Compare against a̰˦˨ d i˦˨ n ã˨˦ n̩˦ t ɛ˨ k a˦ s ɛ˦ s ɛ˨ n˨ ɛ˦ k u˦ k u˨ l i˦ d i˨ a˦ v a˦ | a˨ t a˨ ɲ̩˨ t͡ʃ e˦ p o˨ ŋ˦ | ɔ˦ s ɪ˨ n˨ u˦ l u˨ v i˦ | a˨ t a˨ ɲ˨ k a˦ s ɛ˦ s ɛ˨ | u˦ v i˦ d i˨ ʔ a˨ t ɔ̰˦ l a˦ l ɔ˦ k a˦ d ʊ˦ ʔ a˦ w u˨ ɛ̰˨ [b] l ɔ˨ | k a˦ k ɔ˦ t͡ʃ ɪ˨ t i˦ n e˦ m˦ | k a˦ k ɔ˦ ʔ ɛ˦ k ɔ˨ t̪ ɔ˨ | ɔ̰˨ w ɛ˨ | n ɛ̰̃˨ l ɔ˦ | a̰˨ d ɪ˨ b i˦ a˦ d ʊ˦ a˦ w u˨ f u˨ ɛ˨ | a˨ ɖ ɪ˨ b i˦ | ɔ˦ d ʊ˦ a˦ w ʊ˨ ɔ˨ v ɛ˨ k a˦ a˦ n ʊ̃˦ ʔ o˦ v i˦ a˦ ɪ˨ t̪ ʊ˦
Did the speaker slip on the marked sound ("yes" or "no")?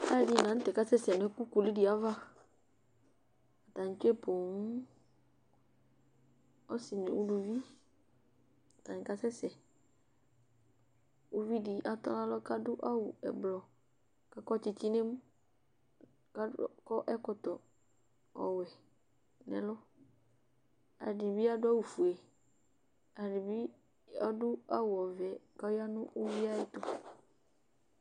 no